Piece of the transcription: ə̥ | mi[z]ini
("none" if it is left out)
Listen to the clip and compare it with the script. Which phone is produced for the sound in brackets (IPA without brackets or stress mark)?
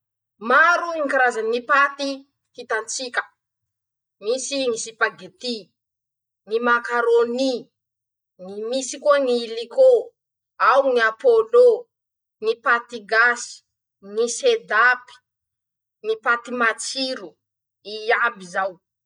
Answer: s